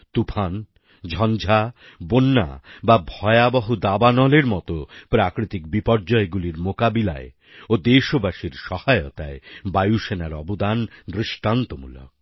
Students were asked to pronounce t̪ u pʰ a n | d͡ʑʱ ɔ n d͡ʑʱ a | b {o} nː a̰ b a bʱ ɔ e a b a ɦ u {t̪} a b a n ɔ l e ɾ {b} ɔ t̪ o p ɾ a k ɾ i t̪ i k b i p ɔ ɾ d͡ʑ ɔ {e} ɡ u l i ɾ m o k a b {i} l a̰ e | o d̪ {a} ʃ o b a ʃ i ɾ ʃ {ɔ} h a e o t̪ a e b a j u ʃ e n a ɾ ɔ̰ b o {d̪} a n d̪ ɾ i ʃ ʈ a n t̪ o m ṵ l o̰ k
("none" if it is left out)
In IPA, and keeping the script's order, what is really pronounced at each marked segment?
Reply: o, d̪, m, e, i, e, ɔ, d̪

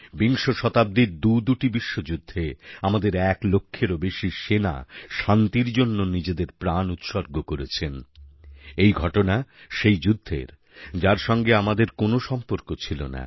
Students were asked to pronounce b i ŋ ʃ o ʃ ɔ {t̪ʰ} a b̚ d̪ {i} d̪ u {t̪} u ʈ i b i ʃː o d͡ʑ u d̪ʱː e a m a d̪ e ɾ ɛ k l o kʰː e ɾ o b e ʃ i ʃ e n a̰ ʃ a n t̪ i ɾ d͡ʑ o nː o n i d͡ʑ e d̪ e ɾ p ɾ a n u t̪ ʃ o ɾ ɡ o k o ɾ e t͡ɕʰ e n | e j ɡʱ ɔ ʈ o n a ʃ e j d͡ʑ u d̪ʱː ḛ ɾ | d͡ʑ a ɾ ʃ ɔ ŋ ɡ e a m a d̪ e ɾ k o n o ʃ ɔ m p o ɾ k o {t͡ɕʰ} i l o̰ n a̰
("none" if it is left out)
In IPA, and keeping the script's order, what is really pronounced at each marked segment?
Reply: t̪, i, d̪, t͡ɕʰ

